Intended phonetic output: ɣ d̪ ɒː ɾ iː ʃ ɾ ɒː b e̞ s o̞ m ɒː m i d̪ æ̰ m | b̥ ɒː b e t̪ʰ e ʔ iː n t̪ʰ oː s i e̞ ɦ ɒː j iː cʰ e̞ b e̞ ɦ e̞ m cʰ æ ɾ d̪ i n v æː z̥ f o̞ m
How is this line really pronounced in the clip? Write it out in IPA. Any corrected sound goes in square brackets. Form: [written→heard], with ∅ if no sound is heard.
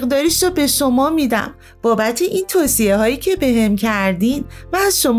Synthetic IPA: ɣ d̪ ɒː ɾ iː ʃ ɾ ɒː b e̞ [s→ʃ] o̞ m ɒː m i d̪ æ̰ m | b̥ ɒː b [e→æ] t̪ʰ e ʔ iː n t̪ʰ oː s i e̞ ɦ ɒː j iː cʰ e̞ b e̞ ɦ e̞ m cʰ æ ɾ d̪ i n v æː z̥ [f→ʃ] o̞ m